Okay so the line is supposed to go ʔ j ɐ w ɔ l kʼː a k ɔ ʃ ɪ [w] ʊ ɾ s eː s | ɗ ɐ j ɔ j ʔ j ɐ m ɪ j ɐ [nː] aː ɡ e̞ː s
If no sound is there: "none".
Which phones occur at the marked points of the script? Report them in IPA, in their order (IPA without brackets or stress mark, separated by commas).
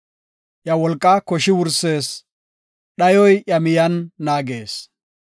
w, nː